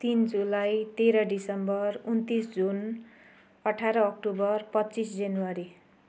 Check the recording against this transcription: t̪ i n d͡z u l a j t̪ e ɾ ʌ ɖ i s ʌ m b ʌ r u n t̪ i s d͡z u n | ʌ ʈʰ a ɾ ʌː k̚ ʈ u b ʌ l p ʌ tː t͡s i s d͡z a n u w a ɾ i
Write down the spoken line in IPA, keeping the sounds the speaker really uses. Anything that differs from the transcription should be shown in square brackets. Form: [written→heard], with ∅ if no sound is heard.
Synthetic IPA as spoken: t̪ i n d͡z u l a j t̪ e ɾ ʌ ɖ i s ʌ m b ʌ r u n t̪ i s d͡z u n | ʌ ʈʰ a ɾ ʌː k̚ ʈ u b ʌ [l→r] p ʌ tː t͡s i s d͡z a n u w a ɾ i